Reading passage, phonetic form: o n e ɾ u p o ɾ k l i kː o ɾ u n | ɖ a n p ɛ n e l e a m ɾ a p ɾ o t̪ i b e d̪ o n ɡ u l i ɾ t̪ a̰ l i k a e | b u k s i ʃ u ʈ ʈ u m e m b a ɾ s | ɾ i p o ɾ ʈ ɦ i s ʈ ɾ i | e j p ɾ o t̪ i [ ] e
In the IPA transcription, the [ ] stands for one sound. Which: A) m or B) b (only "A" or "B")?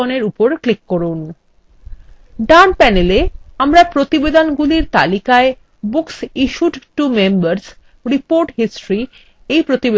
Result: B